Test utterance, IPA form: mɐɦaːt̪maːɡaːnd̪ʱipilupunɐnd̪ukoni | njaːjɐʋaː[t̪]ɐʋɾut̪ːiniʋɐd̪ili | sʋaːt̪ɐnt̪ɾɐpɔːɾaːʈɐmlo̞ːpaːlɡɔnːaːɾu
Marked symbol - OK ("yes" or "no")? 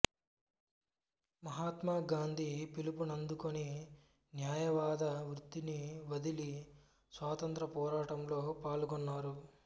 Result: no